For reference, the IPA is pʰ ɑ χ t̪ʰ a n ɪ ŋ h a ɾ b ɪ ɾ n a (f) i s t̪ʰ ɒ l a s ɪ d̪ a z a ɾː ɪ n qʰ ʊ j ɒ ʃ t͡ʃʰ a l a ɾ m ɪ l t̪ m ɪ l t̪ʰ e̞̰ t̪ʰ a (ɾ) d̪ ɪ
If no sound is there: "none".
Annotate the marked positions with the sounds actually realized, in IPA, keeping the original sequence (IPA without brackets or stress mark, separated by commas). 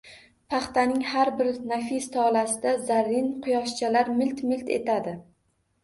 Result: f, none